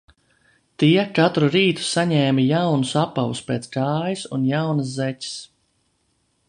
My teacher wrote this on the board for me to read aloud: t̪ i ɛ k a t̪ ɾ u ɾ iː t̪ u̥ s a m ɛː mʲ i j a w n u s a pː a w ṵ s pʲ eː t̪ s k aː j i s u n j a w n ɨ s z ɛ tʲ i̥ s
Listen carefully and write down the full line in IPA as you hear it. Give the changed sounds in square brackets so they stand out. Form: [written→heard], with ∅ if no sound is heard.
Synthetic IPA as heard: t̪ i ɛ k a t̪ ɾ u ɾ iː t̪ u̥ s a [m→ɲ] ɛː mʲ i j a w n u s a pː a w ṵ s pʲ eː t̪ s k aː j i s u n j a w n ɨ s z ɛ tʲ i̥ s